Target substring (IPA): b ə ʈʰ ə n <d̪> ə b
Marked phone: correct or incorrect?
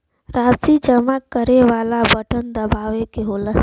correct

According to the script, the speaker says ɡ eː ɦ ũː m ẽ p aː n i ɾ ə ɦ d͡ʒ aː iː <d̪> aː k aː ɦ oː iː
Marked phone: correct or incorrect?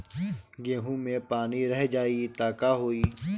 incorrect: t̪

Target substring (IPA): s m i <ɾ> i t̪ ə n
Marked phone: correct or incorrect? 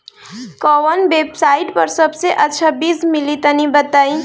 incorrect: l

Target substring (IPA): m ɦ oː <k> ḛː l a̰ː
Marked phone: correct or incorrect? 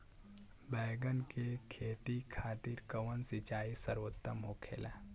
incorrect: kʰ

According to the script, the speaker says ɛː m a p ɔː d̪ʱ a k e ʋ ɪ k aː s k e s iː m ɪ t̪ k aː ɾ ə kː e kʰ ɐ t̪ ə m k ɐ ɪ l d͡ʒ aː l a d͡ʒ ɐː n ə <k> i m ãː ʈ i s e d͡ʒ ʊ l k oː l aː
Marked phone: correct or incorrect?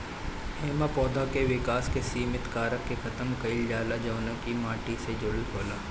correct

